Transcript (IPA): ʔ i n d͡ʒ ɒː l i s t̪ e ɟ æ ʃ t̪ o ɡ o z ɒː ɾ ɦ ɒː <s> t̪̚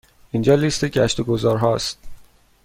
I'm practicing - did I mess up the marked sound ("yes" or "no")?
no